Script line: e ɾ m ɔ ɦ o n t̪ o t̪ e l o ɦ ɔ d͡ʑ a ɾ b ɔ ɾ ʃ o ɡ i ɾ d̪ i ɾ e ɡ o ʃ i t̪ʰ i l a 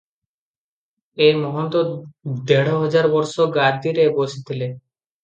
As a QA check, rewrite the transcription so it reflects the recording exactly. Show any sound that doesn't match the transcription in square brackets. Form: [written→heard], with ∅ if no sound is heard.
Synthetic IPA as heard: e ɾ m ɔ ɦ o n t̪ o [t̪→d̪] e [l→ɽ] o ɦ ɔ d͡ʑ a ɾ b ɔ ɾ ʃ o ɡ [i→a] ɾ d̪ i ɾ e [ɡ→b] o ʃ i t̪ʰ i l [a→e]